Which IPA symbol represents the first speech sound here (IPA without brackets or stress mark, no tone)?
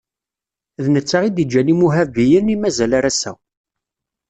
ð